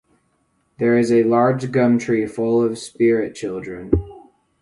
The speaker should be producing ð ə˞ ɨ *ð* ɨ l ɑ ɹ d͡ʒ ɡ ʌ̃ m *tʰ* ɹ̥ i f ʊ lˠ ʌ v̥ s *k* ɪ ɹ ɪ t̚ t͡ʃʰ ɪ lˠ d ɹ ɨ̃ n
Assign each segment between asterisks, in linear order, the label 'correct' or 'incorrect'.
incorrect: z, correct, incorrect: p

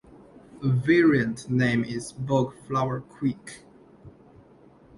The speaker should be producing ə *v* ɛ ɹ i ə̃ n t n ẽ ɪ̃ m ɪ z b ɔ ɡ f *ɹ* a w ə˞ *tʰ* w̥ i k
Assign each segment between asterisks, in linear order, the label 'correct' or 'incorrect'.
correct, incorrect: l, incorrect: kʰ

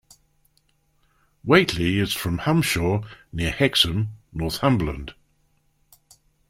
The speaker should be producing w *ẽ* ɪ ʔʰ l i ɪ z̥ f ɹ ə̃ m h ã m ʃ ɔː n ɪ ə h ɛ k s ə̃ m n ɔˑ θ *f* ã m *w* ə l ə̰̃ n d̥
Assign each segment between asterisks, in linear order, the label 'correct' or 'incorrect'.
incorrect: e, incorrect: h, incorrect: b

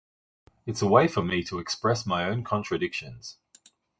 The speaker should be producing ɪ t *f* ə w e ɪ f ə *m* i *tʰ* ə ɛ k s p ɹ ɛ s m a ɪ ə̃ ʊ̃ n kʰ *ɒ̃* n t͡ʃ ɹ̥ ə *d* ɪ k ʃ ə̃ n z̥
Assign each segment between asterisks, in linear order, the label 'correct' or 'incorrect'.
incorrect: s, correct, correct, correct, correct

